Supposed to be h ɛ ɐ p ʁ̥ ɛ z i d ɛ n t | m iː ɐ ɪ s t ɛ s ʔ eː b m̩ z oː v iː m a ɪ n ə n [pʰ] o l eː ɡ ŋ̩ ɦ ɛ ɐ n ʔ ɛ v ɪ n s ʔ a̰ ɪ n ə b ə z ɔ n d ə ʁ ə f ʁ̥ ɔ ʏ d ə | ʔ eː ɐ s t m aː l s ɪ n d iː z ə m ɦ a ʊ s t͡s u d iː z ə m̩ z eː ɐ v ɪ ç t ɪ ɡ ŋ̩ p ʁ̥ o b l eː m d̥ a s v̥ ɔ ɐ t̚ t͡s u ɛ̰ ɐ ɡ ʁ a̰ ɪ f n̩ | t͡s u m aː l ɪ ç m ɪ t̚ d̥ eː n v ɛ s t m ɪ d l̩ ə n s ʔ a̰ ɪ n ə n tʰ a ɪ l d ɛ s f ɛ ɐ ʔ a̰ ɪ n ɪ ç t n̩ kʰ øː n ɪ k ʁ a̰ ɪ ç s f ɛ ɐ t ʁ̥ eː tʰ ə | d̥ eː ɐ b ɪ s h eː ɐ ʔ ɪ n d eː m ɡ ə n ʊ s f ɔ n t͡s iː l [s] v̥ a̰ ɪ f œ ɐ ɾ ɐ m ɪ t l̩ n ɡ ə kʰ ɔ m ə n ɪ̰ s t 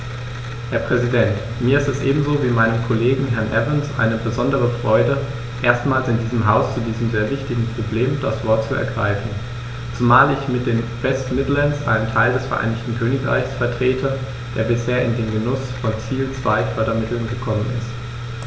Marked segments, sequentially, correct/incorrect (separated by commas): incorrect, incorrect